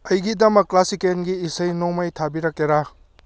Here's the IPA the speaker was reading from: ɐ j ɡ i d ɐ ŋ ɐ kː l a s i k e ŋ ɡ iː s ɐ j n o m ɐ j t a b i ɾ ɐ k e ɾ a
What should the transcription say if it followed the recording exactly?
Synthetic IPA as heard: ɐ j ɡ i d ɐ m ɐ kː l a s i k e n ɡ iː s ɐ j n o m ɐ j tʰ a b i ɾ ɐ k e ɾ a